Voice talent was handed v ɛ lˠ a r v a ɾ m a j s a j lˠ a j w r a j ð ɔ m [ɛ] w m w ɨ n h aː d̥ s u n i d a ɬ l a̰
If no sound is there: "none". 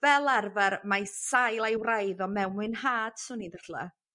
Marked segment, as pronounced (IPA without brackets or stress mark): ɛ